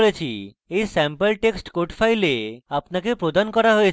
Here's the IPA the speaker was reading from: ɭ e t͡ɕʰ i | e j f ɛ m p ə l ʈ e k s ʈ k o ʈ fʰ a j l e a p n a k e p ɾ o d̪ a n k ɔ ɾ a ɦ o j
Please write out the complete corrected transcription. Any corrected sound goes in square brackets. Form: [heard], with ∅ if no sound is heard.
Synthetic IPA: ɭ e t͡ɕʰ i | e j [s] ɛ m p ə l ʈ e k s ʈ k o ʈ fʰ a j l e a p n a k e p ɾ o d̪ a n k ɔ ɾ a ɦ o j